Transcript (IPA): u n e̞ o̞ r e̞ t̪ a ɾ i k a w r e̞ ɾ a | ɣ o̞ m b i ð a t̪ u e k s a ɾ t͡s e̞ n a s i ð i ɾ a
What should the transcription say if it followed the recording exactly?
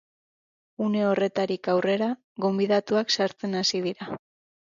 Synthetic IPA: u n e̞ o̞ r e̞ t̪ a ɾ i k a w r e̞ ɾ a | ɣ o̞ m b i ð a t̪ u a k s a ɾ t͡s e̞ n a s i ð i ɾ a